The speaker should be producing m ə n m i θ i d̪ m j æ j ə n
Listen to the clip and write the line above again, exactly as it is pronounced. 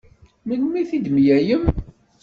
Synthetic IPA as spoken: m ə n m i θ i d̪ m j æ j ə m